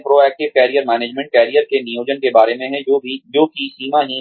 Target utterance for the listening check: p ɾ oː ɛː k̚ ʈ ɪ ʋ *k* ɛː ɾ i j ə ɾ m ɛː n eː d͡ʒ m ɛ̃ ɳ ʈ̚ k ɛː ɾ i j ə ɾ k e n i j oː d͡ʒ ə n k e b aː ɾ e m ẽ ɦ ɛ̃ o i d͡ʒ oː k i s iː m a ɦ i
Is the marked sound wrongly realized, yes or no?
no